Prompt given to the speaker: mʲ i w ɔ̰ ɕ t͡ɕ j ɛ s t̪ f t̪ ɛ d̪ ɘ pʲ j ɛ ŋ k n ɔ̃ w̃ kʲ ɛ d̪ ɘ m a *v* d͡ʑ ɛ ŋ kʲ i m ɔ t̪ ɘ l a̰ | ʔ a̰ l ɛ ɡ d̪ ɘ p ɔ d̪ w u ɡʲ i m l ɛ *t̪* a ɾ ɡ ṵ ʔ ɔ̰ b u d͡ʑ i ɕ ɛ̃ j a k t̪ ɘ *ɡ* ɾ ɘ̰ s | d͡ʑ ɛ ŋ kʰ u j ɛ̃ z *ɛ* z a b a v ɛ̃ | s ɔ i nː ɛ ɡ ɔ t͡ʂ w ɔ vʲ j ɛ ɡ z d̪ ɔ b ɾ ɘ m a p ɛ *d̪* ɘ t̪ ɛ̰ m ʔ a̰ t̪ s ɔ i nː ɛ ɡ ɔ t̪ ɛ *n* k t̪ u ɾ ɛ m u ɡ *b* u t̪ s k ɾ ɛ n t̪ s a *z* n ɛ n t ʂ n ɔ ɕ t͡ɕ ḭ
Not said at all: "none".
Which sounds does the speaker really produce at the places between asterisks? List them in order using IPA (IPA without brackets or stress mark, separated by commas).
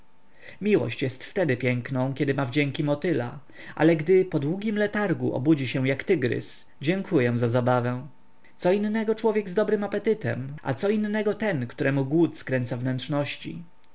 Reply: v, t̪, ɡ, a, t̪, n, w, v